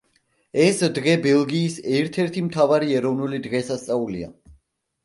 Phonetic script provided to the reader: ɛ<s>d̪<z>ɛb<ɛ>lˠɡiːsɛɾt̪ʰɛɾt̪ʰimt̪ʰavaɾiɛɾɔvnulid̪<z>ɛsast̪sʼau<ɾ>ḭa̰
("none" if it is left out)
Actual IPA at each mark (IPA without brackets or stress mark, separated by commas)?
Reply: s, ʁ, ɛ, ʁ, l